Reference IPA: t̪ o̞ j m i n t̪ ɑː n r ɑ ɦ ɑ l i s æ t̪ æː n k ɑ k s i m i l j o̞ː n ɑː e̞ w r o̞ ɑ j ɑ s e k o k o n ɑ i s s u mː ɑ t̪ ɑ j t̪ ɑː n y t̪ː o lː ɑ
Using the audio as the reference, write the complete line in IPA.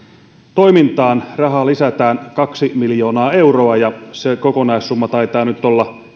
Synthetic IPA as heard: t̪ o̞ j m i n t̪ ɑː n r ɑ ɦ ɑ l i s æ t̪ æː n k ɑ k s i m i l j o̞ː n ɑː e̞ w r o̞ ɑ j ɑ s e k o k o n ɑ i s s u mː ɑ t̪ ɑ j t̪ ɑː n y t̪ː o lː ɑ